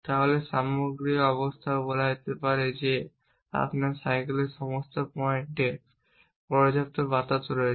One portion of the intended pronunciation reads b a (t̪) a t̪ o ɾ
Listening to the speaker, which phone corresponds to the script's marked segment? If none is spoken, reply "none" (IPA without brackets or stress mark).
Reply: t̪